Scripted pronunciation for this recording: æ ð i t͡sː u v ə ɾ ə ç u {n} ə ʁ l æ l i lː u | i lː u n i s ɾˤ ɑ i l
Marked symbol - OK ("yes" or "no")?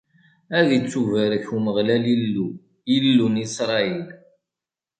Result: no